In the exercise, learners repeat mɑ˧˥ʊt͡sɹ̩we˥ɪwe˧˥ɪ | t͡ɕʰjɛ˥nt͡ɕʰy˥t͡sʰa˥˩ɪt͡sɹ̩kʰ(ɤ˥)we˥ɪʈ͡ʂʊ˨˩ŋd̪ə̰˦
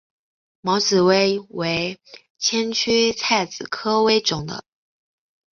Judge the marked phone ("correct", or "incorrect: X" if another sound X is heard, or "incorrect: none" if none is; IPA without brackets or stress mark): correct